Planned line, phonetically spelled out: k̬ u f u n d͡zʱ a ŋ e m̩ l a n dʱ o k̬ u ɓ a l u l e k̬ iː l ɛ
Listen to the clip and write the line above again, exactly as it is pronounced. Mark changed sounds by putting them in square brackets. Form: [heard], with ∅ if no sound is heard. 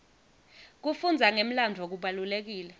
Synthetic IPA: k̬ u f u n d͡zʱ a ŋ e m̩ l a n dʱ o k̬ u ɓ a l u l e k̬ iː l ɛ